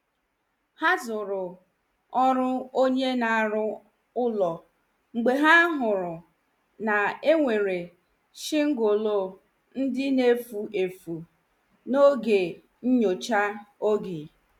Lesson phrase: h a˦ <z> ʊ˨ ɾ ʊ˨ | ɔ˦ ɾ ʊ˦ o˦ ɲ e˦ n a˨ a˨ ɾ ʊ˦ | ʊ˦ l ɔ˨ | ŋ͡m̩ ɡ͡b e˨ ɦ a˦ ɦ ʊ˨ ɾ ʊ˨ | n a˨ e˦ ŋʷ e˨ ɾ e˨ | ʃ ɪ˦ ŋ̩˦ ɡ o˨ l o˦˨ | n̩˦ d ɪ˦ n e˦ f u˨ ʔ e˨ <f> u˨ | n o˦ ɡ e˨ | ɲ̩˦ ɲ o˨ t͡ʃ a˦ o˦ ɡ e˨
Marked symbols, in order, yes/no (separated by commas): yes, yes